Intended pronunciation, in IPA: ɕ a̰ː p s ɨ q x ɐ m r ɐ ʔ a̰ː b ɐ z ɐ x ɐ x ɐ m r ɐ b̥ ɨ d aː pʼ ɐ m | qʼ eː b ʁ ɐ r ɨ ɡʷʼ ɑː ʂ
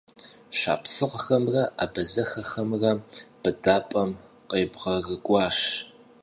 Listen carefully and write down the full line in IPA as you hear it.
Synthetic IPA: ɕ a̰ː p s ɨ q x ɐ m r ɐ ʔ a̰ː b ɐ z ɐ x ɐ x ɐ m r ɐ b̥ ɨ d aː pʼ ɐ m | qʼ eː b ʁ ɐ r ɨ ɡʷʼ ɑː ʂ